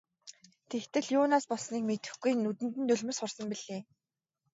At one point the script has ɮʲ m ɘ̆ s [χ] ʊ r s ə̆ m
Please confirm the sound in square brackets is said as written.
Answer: yes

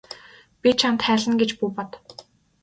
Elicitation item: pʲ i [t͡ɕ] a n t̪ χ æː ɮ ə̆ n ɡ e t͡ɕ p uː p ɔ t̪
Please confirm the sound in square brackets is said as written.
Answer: no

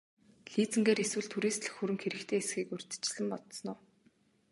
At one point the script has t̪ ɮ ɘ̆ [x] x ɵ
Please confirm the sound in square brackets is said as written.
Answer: yes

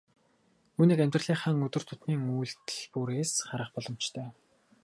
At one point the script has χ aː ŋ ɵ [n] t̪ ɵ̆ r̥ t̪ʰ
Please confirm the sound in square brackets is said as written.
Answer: no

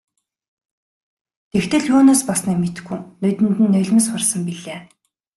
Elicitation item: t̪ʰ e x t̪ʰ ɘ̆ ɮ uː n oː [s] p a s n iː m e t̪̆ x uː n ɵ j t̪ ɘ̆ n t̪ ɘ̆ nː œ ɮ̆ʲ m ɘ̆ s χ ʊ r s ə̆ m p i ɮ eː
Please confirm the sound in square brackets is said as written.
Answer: yes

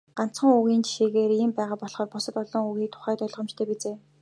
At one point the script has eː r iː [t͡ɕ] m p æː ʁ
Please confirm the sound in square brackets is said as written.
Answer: no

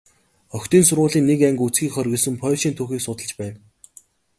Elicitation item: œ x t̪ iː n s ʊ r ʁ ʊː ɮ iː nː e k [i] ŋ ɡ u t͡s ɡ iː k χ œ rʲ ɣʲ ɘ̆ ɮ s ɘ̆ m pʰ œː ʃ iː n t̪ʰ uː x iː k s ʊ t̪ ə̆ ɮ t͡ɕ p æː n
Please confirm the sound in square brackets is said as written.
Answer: no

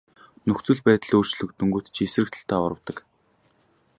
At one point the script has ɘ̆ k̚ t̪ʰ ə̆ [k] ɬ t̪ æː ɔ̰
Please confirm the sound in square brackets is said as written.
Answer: no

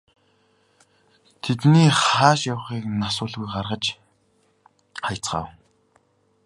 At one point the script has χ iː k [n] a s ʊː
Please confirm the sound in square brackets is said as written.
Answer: yes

